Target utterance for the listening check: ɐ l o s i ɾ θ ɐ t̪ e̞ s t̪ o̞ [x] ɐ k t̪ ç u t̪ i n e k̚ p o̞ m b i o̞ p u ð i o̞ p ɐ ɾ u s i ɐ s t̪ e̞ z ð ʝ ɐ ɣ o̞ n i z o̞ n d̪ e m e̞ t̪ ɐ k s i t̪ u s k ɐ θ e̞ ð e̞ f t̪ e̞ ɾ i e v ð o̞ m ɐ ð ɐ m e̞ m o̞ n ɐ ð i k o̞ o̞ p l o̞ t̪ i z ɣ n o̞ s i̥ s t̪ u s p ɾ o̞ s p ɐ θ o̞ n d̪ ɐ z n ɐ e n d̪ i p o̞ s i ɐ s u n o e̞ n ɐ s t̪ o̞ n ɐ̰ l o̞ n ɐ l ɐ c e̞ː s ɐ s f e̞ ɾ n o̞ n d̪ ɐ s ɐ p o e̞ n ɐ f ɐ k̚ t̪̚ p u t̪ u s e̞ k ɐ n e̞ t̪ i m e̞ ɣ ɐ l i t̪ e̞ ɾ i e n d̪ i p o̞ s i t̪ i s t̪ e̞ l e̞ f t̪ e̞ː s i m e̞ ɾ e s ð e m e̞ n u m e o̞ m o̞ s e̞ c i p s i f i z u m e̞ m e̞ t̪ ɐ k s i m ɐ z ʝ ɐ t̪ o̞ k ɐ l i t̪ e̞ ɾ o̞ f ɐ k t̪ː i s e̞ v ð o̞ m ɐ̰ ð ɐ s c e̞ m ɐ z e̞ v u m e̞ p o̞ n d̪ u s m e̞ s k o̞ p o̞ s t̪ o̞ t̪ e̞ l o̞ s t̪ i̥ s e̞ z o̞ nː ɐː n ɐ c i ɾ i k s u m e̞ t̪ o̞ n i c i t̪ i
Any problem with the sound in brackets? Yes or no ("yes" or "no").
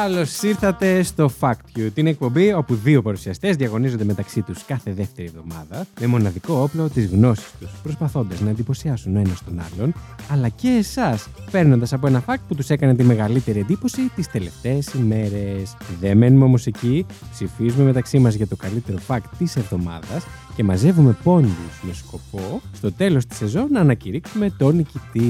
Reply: yes